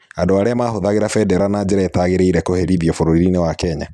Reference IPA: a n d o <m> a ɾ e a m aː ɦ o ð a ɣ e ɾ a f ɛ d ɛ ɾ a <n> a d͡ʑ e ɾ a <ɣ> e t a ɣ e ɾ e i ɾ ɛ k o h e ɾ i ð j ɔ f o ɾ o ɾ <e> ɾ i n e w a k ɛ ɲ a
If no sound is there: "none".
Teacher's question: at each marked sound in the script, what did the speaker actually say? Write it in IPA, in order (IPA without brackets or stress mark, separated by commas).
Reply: none, n, none, i